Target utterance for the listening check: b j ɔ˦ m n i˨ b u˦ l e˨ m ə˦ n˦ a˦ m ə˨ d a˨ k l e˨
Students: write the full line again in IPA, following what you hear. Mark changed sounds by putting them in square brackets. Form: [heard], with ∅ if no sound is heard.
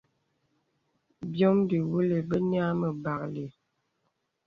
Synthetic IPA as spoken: b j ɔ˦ m [d] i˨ [w] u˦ l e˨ [b] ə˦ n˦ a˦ m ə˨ [b] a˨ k l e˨